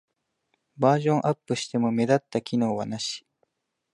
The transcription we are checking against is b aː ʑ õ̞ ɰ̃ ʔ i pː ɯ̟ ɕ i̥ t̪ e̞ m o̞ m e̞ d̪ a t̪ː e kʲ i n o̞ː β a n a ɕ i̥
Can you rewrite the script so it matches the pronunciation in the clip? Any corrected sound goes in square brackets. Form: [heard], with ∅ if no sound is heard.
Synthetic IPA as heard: b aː ʑ õ̞ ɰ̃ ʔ [a] pː ɯ̟ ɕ i̥ t̪ e̞ m o̞ m e̞ d̪ a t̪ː [a] kʲ i n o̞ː β a n a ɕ i̥